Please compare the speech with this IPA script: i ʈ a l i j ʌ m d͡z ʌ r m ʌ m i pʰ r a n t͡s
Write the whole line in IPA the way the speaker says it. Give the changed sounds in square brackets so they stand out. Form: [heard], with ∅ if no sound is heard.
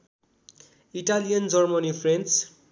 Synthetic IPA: i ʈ a l i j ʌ [n] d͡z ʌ r m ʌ [n] i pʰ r [e] n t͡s

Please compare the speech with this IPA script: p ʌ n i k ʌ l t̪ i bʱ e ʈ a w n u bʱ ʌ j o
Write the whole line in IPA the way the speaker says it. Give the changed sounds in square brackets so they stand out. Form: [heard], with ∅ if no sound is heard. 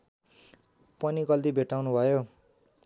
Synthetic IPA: p ʌ n i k ʌ l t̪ i bʱ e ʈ a w n u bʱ ʌ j o

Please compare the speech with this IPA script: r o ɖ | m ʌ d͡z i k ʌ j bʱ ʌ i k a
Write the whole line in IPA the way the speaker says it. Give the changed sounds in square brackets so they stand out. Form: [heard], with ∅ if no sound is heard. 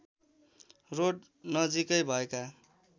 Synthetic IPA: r o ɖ | [n] ʌ d͡z i k ʌ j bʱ ʌ [e] k a

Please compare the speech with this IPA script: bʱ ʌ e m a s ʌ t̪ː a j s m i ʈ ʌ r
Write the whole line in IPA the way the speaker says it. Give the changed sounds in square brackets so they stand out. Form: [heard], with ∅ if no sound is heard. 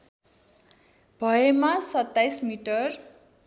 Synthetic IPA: bʱ ʌ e m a s ʌ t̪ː a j s m i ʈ ʌ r

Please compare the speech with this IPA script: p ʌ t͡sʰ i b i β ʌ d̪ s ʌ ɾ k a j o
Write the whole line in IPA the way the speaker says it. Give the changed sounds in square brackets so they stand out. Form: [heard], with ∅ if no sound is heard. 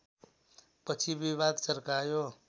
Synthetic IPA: p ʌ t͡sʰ i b i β [a] d̪ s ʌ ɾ k a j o

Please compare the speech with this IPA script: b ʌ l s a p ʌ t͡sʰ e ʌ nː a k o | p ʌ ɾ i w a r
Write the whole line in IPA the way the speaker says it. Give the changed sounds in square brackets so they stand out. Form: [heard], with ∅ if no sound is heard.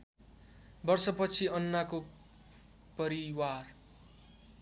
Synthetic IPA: b ʌ [r] s [ʌ] p ʌ t͡sʰ [i] ʌ nː a k o | p ʌ ɾ i w a r

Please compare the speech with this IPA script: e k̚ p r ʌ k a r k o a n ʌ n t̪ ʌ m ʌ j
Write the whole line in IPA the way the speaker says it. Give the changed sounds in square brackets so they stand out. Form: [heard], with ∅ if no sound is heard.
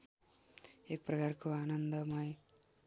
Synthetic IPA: e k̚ p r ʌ k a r k o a n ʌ n [d̪] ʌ m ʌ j

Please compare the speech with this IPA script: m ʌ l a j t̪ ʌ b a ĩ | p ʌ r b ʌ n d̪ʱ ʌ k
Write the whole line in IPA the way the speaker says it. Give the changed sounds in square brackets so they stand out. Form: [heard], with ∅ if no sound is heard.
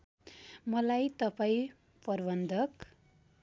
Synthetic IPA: m ʌ l a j t̪ ʌ [p] a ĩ | p ʌ r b ʌ n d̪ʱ ʌ k

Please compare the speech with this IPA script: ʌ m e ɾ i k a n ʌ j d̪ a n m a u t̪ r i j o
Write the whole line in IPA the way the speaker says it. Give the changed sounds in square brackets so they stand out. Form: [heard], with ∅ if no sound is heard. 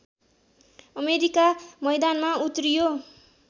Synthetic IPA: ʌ m e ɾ i k a [m] ʌ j d̪ a n m a u t̪ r i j o

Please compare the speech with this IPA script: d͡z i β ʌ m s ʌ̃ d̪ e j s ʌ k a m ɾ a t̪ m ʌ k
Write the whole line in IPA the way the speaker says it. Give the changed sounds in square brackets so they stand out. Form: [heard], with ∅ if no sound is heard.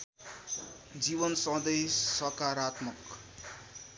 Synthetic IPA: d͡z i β ʌ [n] s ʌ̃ d̪ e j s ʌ k a [∅] ɾ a t̪ m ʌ k

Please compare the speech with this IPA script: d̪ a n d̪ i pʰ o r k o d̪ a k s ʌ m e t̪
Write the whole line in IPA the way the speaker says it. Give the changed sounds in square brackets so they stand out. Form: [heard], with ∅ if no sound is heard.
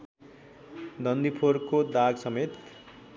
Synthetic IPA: d̪ [ʌ] n d̪ i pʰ o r k o d̪ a [ɡ] s ʌ m e t̪

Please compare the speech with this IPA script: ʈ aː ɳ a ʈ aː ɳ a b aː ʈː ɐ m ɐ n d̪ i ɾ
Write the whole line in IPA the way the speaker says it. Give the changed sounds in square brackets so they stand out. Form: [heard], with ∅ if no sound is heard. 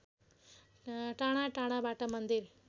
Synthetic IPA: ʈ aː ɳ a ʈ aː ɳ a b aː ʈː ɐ m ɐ n d̪ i ɾ

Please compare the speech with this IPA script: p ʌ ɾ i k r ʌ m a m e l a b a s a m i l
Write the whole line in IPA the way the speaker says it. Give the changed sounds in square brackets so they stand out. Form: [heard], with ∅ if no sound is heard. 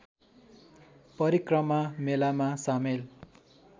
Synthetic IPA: p ʌ ɾ i k r ʌ m a m e l a [m] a s a m [e] l

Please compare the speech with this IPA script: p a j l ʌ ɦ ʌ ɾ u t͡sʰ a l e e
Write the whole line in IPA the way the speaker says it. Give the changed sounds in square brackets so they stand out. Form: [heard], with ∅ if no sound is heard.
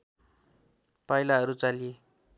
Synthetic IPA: p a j l [a] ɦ ʌ ɾ u [t͡s] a l [i] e

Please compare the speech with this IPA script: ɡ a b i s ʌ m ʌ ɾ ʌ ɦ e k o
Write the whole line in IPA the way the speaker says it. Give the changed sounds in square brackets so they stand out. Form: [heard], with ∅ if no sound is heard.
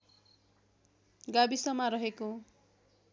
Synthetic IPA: ɡ a b i s ʌ m [a] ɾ ʌ ɦ e k o

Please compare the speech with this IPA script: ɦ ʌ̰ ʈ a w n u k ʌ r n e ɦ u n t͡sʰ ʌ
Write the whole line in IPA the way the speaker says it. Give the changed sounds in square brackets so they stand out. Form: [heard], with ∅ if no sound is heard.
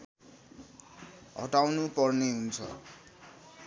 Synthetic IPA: ɦ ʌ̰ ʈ a w n u [p] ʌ r n e ɦ u n t͡sʰ ʌ

